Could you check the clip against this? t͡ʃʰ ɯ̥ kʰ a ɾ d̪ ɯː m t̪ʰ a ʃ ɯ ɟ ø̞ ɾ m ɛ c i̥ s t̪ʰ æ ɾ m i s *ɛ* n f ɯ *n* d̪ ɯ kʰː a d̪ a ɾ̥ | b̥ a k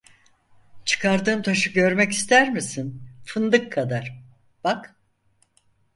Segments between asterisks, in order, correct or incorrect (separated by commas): incorrect, correct